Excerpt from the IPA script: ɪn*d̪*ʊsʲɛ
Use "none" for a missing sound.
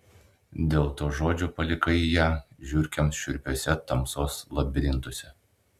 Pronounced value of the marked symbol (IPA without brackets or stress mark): t̪